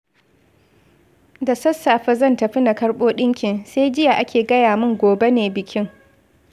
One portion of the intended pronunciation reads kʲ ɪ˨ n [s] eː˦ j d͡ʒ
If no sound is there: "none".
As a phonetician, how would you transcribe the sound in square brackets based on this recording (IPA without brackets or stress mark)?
s